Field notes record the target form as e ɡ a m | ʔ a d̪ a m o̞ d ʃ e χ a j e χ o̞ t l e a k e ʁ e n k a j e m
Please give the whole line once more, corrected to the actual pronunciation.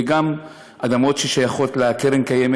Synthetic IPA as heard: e ɡ a m | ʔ a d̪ a m o̞ t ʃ e ʃ a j a χ o̞ t l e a k e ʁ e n k a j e m